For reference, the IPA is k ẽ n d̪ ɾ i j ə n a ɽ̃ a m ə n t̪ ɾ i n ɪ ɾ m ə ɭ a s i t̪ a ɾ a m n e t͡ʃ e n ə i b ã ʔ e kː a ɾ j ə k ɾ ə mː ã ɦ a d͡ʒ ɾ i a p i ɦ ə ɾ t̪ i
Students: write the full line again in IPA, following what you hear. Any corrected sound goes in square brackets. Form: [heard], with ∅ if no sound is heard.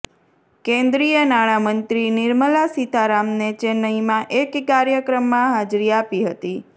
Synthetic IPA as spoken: k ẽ n d̪ ɾ i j ə n a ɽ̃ a m ə n t̪ ɾ i n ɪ ɾ m ə [l] a s i t̪ a ɾ a m n e t͡ʃ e n ə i [m] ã ʔ e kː a ɾ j ə k ɾ ə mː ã ɦ a d͡ʒ ɾ i a p i ɦ ə [∅] t̪ i